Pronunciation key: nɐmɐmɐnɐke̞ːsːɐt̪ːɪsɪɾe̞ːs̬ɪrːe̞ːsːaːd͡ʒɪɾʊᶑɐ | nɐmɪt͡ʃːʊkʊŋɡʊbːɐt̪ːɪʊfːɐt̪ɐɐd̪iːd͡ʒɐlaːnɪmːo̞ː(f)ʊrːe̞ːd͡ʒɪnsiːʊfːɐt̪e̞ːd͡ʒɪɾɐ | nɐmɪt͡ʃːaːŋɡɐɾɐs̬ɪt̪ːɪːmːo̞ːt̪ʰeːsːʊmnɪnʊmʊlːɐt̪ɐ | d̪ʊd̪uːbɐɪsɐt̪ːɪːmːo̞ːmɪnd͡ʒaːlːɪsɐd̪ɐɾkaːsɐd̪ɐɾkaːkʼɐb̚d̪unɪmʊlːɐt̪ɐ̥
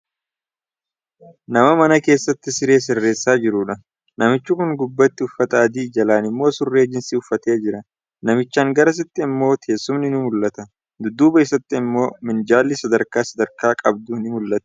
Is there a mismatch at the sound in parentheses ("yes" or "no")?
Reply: yes